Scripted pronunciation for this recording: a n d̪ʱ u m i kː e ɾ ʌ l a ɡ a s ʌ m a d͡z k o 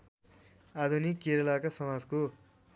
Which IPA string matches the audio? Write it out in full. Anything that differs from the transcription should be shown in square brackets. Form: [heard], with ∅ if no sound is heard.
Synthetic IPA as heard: a [∅] d̪ʱ u [n] i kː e ɾ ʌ l a [k] a s ʌ m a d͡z k o

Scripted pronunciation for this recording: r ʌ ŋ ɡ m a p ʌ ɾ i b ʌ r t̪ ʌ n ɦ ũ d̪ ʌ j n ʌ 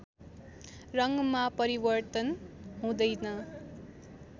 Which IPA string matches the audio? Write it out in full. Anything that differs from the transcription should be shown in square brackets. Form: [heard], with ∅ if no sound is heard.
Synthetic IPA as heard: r ʌ ŋ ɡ m a p ʌ ɾ i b ʌ r t̪ ʌ n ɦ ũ d̪ ʌ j n ʌ

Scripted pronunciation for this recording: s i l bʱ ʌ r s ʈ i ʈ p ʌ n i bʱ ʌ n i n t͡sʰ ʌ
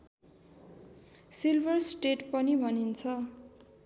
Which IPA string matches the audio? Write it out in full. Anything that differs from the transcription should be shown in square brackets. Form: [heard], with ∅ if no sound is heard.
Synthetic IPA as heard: s i l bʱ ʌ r s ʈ [e] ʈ p ʌ n i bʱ ʌ n i n t͡sʰ ʌ

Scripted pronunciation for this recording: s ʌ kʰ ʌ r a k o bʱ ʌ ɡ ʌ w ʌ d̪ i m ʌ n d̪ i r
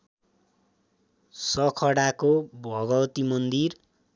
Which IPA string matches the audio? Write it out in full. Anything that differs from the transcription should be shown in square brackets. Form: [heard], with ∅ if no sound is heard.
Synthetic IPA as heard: s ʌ kʰ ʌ [ɽ] a k o bʱ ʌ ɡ ʌ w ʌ [t̪] i m ʌ n d̪ i r

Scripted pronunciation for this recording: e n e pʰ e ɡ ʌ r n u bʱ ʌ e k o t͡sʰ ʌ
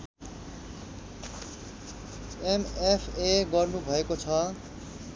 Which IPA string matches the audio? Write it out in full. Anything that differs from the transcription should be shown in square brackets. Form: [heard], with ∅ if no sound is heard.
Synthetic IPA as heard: e [m] e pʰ e ɡ ʌ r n u bʱ ʌ e k o t͡sʰ ʌ

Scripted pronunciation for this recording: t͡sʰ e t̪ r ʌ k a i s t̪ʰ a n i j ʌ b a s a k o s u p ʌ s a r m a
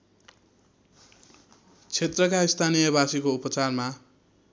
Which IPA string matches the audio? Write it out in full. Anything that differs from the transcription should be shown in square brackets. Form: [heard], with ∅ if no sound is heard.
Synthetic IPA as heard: t͡sʰ e t̪ r ʌ k a i s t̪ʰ a n i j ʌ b a s [i] k o [∅] u p ʌ [t͡s] a r m a

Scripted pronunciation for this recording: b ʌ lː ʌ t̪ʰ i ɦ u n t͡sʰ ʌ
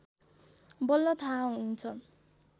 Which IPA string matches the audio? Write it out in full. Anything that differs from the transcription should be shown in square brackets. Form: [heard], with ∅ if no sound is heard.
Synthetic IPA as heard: b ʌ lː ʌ t̪ʰ [a] ɦ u n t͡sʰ ʌ

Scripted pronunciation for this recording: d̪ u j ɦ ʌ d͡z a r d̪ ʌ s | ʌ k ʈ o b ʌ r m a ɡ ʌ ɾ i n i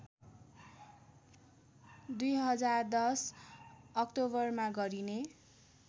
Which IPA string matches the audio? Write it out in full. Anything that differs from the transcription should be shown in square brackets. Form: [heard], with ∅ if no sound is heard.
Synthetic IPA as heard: d̪ u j ɦ ʌ d͡z a r d̪ ʌ s | ʌ k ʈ o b ʌ r m a ɡ ʌ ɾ i n [e]

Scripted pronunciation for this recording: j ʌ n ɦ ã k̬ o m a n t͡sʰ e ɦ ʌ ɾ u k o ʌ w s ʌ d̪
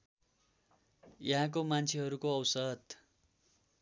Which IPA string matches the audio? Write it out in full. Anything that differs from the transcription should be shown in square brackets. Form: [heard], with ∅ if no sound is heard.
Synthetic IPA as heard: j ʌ [∅] ɦ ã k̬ o m a n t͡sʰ e ɦ ʌ ɾ u k o ʌ w s ʌ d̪

